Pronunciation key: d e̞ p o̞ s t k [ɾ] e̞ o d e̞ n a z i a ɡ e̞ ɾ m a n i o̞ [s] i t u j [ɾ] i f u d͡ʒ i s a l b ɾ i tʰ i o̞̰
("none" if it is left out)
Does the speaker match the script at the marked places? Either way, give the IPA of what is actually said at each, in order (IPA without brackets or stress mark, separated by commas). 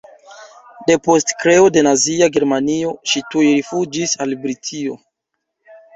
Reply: ɾ, ʃ, ɾ